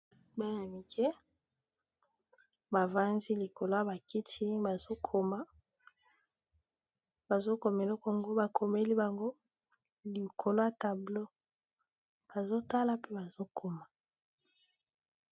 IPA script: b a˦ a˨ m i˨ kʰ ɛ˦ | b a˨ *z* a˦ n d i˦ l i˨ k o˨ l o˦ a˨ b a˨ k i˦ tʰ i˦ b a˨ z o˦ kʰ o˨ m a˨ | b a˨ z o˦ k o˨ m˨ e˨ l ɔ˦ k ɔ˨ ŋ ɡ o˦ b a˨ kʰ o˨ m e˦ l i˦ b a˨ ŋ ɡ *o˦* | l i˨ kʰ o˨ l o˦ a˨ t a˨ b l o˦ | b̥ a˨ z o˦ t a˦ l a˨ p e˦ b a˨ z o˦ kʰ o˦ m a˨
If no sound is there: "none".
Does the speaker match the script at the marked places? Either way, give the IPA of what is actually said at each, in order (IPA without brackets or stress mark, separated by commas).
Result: v, o˦